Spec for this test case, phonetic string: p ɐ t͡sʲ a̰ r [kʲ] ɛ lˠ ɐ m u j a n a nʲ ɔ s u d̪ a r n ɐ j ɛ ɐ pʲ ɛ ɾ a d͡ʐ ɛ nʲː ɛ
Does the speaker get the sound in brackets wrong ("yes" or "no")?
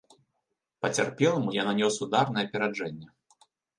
yes